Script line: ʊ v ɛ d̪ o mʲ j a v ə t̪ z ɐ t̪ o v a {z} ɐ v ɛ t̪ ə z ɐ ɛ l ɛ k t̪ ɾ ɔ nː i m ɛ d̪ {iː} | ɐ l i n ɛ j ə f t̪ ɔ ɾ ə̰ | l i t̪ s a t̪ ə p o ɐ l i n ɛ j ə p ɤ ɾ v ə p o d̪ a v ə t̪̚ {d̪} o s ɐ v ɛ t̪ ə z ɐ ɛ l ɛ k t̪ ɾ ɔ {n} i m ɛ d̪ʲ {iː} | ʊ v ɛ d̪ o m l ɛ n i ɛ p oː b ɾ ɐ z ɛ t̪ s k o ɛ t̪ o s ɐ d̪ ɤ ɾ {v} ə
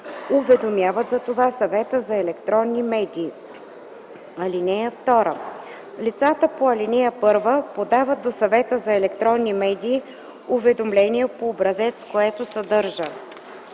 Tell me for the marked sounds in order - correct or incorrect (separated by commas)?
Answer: incorrect, correct, correct, incorrect, correct, incorrect